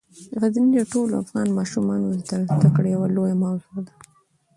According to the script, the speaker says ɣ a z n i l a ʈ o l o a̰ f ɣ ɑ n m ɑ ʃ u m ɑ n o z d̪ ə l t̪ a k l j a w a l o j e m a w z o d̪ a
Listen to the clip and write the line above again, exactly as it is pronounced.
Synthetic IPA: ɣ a z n i l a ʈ o l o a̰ f ɣ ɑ n m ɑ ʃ u m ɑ n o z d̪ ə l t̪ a k ɽ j a w a l o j a m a w z o d̪ a